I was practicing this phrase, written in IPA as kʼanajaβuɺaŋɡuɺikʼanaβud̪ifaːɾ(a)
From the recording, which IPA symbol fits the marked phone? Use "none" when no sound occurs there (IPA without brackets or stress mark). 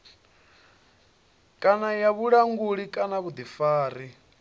i